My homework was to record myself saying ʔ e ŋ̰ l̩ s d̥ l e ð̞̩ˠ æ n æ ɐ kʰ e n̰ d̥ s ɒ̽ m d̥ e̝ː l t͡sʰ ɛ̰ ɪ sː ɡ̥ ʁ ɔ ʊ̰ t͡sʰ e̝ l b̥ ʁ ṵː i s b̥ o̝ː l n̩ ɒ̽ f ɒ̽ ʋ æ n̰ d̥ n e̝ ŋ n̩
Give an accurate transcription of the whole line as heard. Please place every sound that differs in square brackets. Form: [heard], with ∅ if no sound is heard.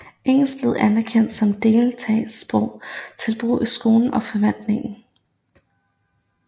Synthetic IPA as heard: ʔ e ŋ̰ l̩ s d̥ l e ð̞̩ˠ æ n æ ɐ kʰ e n̰ d̥ s ɒ̽ m d̥ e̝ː l t͡sʰ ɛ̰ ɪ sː [b̥] ʁ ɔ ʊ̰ t͡sʰ e̝ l b̥ ʁ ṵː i s [ɡ̥] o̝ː l n̩ ɒ̽ f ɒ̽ ʋ æ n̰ d̥ n e̝ ŋ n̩